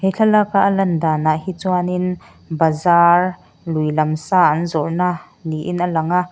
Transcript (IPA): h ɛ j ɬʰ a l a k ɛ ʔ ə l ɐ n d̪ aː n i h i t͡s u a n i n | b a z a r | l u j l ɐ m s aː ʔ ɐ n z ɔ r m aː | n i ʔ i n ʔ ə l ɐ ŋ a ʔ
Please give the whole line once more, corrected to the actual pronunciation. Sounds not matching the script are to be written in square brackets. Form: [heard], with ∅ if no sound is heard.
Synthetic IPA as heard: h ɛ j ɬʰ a l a k [a] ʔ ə l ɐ n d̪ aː n [a] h i t͡s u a n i n | b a z a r | l u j l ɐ m s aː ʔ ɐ n z ɔ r [n] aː | n i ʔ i n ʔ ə l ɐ ŋ a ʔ